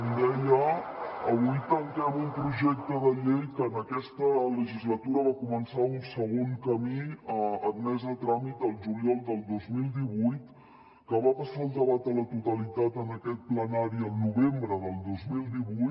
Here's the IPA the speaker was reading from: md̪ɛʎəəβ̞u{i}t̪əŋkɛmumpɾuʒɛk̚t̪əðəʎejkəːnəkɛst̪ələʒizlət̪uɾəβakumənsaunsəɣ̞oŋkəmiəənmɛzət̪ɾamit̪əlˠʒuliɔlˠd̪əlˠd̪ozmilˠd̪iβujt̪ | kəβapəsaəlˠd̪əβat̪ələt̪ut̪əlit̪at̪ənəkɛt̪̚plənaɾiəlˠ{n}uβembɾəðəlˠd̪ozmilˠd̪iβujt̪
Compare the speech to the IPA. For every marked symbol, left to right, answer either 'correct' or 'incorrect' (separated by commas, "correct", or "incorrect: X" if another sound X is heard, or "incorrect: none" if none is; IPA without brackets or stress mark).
incorrect: j, correct